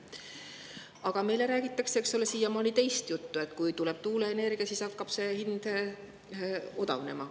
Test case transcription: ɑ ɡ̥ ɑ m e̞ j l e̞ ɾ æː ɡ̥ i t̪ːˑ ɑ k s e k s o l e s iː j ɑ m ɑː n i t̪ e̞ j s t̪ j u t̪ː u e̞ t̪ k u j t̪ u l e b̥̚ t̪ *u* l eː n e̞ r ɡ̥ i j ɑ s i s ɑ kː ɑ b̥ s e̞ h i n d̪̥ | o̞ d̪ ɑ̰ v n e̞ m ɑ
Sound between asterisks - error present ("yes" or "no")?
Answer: yes